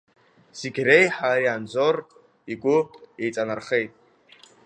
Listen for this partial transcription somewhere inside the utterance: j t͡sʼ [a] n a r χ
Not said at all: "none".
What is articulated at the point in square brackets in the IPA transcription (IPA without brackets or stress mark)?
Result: a